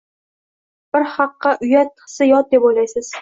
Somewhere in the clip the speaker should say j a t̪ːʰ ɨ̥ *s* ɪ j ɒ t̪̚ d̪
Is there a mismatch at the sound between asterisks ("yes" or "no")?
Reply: no